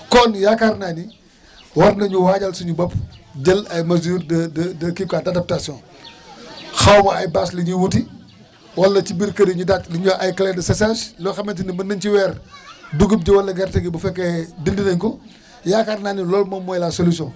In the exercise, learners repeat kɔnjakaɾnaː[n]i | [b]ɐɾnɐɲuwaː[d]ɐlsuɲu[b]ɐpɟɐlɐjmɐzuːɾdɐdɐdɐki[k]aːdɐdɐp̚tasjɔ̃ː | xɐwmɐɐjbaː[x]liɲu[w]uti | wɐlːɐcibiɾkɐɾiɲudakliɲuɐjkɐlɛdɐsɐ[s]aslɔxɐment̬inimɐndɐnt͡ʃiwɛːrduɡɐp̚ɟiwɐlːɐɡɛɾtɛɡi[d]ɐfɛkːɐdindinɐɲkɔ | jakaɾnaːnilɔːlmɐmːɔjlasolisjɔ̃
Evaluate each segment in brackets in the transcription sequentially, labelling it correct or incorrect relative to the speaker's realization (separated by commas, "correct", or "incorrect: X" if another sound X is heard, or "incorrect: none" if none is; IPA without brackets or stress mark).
correct, incorrect: w, incorrect: ɟ, correct, correct, incorrect: s, correct, correct, incorrect: b